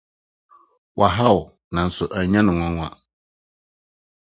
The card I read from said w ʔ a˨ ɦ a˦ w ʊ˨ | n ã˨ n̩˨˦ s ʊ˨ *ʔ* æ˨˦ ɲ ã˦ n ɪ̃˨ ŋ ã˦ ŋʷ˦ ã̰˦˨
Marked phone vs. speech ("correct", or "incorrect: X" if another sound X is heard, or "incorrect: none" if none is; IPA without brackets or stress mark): correct